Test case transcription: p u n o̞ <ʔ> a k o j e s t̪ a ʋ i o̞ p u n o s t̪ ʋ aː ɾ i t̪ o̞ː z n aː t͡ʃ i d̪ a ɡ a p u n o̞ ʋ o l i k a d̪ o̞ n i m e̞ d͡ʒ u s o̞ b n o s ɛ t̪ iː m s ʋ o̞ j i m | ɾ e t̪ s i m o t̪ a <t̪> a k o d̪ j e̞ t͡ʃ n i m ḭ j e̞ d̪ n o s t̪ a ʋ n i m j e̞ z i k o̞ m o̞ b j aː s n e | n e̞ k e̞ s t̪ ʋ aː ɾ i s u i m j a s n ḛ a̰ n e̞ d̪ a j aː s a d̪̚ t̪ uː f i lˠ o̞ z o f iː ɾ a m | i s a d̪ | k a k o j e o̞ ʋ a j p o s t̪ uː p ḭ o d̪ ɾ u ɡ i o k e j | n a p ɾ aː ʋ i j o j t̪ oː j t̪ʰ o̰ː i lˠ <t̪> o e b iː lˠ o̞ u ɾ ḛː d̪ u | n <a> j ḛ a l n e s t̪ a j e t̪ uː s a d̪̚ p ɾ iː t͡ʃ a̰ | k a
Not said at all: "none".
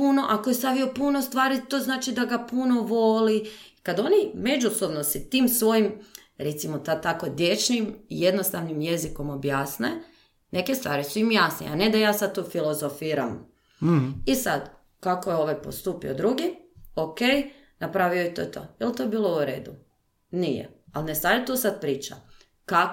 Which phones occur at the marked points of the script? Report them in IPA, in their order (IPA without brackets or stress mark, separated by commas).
ʔ, t̪, t̪, i